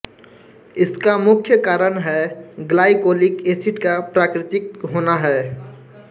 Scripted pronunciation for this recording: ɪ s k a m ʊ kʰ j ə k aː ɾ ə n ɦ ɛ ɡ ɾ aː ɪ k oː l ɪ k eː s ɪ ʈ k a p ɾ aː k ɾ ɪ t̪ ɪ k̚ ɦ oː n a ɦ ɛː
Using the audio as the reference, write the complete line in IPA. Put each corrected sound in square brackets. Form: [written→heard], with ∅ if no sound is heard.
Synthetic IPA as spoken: ɪ s k a m ʊ kʰ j ə k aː ɾ ə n ɦ ɛ ɡ [ɾ→l] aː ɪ k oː l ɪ k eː s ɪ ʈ k a p ɾ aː k ɾ ɪ t̪ ɪ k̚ ɦ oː n a ɦ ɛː

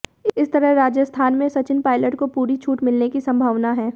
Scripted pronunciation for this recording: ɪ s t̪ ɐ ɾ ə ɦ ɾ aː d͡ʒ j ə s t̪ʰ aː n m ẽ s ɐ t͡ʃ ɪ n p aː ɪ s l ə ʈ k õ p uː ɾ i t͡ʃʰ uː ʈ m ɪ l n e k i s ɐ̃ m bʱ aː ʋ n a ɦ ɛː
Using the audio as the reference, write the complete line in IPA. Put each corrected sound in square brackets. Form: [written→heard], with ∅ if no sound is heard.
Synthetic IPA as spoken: ɪ s t̪ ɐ ɾ ə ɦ ɾ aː d͡ʒ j ə s t̪ʰ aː n m ẽ s ɐ t͡ʃ ɪ n p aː ɪ [s→∅] l ə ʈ k [õ→o] p uː ɾ i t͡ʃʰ uː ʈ m ɪ l n e k i s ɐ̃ m bʱ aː ʋ n a ɦ ɛː

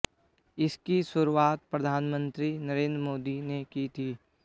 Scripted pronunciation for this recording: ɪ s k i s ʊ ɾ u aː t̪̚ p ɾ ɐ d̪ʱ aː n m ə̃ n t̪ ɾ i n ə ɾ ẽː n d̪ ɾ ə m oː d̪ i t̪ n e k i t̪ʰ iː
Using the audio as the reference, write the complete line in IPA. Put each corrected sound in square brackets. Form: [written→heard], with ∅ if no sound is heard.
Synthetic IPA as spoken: ɪ s k i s ʊ ɾ u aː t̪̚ p ɾ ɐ d̪ʱ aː n m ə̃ n t̪ ɾ i n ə ɾ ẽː n d̪ ɾ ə m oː d̪ i [t̪→∅] n e k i t̪ʰ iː

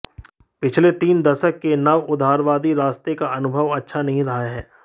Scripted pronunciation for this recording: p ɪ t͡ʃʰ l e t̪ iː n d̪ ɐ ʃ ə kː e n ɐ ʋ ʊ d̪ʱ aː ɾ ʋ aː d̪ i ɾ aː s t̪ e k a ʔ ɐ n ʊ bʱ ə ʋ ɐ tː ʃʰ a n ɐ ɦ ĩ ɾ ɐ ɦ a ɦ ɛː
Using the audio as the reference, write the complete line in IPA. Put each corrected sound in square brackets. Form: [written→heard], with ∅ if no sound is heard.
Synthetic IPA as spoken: p ɪ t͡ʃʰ l e t̪ iː n d̪ ɐ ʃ ə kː e n ɐ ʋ ʊ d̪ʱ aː ɾ ʋ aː d̪ i ɾ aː s t̪ e k a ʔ ɐ n ʊ bʱ ə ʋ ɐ tː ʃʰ a n ɐ ɦ ĩ ɾ ɐ ɦ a ɦ ɛː

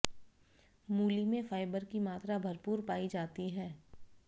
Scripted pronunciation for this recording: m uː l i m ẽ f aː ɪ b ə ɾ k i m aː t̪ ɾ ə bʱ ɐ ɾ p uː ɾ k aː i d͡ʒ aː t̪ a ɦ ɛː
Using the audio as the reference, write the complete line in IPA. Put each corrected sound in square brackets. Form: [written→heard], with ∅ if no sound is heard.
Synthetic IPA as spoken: m uː l i m ẽ f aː ɪ b ə ɾ k i m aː t̪ ɾ [ə→a] bʱ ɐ ɾ p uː ɾ [k→p] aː i d͡ʒ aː t̪ [a→i] ɦ ɛː

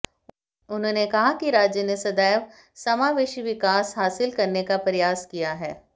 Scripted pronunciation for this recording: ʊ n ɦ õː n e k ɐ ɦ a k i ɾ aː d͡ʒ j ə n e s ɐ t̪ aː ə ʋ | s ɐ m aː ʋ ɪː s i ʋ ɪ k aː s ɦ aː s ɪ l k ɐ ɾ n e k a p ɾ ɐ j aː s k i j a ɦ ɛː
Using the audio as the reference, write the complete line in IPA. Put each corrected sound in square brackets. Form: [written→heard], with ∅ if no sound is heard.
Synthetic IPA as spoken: ʊ n ɦ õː n e k ɐ ɦ a k i ɾ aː d͡ʒ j ə n e s ɐ [t̪→d̪] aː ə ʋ | s ɐ m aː ʋ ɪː [s→ʃ] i ʋ ɪ k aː s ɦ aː s ɪ l k ɐ ɾ n e k a p ɾ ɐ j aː s k i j a ɦ ɛː

